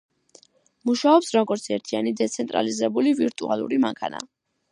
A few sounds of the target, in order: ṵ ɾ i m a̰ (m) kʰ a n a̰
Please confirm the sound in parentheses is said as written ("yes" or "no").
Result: no